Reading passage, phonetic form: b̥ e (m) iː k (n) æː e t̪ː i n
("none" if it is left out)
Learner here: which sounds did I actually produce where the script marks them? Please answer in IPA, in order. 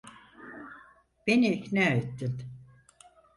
n, n

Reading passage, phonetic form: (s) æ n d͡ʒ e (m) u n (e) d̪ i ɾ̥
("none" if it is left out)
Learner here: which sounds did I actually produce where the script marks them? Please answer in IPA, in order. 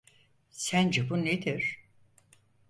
s, b, e

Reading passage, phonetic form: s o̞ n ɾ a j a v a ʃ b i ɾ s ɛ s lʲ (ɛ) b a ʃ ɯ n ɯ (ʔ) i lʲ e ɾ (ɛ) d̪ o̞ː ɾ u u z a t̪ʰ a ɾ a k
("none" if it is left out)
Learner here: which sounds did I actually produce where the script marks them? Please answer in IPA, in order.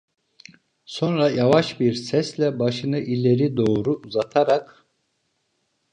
ɛ, ʔ, i

